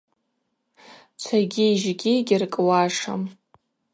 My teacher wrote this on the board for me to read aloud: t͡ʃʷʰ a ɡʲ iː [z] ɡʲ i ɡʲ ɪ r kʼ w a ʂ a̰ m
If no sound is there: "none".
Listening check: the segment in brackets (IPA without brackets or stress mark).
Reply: ʒ